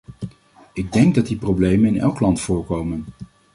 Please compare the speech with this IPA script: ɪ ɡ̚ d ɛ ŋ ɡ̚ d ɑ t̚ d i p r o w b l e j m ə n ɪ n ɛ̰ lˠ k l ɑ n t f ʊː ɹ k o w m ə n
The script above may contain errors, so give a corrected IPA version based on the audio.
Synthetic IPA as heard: ɪ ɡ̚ d ɛ ŋ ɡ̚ d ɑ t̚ d i p r o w b l e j m ə n ɪ n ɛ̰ lˠ k l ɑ n t f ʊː ɹ k o w m ə n